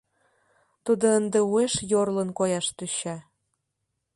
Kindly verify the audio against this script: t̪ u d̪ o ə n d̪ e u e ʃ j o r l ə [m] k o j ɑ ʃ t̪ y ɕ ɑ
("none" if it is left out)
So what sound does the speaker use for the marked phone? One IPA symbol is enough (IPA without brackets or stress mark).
n